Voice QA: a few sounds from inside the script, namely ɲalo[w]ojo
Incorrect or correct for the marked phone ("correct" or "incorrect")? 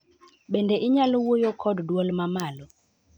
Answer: correct